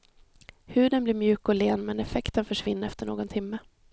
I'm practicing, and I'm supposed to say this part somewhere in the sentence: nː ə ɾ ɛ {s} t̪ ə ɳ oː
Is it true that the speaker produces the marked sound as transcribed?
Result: no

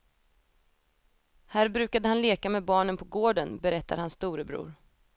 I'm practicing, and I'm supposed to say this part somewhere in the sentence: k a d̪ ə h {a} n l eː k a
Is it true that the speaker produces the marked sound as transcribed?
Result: yes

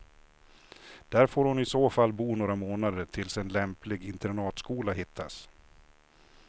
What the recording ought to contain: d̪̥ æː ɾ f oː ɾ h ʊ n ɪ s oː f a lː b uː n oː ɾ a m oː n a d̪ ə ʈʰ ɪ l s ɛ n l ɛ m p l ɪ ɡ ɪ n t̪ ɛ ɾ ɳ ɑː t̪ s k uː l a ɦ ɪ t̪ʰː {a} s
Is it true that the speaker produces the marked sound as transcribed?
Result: yes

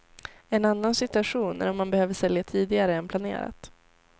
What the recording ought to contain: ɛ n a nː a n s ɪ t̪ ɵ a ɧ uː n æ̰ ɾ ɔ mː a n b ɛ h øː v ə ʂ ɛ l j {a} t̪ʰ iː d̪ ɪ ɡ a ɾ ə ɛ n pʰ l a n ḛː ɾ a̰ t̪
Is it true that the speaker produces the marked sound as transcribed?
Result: yes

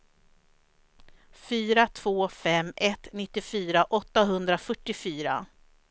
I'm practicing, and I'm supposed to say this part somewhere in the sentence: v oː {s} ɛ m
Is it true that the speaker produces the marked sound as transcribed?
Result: no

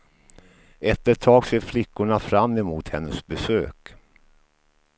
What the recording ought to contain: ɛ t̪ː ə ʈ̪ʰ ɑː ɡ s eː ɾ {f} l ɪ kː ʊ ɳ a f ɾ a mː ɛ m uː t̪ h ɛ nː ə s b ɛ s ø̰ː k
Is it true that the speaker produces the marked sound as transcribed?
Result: yes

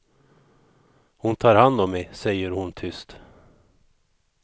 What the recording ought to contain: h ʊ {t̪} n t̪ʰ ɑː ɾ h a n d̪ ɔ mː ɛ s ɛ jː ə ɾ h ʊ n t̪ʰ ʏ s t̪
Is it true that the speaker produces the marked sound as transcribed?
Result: no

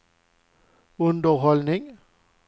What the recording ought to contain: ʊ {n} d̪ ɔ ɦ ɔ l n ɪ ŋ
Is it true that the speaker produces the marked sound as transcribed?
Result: yes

